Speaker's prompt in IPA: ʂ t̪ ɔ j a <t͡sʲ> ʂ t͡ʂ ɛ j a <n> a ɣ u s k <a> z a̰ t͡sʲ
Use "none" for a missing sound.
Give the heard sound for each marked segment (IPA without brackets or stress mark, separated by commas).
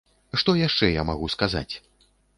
none, m, a